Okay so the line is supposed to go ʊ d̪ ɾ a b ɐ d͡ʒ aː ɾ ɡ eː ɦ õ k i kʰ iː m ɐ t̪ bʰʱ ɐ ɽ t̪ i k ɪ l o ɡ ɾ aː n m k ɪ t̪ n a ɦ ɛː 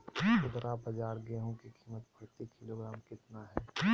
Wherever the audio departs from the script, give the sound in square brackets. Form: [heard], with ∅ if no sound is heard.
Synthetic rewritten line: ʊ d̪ ɾ a b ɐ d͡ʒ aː ɾ ɡ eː ɦ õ k i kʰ iː m [ə] t̪ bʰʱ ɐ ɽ t̪ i k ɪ l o ɡ ɾ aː [∅] m k ɪ t̪ n a ɦ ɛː